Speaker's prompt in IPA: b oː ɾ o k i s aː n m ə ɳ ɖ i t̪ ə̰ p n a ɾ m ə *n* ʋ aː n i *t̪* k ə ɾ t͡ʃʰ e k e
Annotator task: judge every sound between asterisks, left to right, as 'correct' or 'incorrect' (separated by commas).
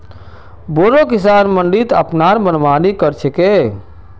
correct, incorrect